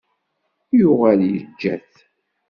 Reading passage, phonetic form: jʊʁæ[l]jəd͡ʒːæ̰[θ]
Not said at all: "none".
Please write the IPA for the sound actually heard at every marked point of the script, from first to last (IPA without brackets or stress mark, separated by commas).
l, θ